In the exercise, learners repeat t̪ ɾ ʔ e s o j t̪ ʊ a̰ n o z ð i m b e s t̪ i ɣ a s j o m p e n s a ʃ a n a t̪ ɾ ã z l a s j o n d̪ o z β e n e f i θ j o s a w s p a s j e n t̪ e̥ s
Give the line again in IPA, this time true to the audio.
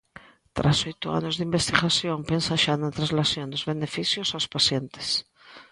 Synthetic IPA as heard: t̪ ɾ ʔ a s o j t̪ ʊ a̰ n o z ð i m b e s t̪ i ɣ a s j o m p e n s a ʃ a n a t̪ ɾ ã z l a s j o n d̪ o z β e n e f i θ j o s a w s p a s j e n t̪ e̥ s